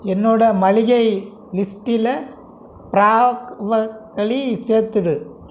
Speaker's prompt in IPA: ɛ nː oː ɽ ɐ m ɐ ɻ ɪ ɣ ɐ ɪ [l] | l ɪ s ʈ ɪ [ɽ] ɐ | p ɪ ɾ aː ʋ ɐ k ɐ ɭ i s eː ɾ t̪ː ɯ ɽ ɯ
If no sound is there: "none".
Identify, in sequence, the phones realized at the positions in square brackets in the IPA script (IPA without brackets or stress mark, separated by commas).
none, l